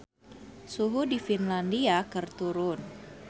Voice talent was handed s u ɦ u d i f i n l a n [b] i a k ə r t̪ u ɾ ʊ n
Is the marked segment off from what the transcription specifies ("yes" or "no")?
yes